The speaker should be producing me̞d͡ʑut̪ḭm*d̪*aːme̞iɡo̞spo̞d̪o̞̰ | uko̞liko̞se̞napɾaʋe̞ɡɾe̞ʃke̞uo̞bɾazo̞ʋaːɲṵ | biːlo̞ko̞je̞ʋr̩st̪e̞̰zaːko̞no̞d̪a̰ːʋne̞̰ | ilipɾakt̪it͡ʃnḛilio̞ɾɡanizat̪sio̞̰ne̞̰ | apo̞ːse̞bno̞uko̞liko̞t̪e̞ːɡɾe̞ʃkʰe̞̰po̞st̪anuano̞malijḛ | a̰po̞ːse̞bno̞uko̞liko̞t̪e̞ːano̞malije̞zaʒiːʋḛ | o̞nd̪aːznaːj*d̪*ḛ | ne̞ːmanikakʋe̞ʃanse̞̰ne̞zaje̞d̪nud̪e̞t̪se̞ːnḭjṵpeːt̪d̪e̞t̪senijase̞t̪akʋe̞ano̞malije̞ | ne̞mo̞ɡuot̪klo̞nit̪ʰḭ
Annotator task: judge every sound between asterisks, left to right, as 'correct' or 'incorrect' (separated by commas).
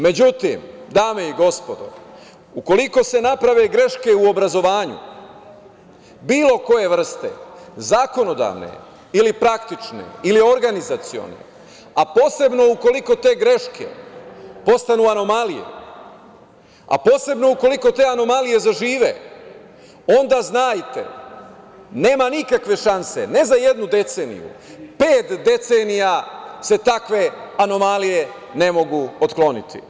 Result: correct, incorrect